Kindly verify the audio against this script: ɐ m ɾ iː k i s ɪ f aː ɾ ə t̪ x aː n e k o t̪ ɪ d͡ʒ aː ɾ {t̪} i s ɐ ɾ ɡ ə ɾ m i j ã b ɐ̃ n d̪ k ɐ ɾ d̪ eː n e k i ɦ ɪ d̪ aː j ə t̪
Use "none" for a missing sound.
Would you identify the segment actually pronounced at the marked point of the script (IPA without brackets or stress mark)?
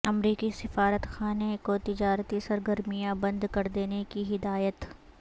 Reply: t̪